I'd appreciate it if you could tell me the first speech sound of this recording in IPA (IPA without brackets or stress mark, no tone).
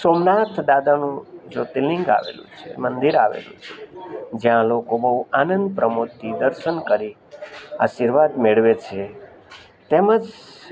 s